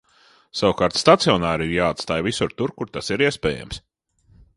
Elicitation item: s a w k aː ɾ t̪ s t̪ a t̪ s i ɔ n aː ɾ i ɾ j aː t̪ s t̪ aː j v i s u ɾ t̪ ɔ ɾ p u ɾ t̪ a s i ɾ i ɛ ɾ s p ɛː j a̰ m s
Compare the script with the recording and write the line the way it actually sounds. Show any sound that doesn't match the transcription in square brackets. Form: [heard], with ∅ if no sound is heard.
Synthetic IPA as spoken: s a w k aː ɾ t̪ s t̪ a t̪ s i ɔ n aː ɾ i ɾ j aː t̪ s t̪ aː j v i s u ɾ t̪ [u] ɾ [k] u ɾ t̪ a s i ɾ i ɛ [∅] s p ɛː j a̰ m s